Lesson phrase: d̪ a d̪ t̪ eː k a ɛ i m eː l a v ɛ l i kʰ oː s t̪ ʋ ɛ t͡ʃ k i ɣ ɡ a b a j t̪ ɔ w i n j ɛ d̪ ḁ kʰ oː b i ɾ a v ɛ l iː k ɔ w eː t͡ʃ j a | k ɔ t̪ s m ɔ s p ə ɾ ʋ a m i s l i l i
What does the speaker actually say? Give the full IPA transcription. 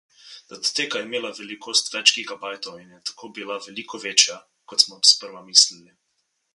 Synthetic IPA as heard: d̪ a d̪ t̪ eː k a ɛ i m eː l a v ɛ l i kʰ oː s t̪ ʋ ɛ t͡ʃ k i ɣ ɡ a b a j t̪ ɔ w i n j ɛ t̪ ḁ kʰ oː b i l a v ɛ l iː k ɔ ʋ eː t͡ʃ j a | k ɔ t̪ s m ɔ s p ə ɾ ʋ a m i s l i l i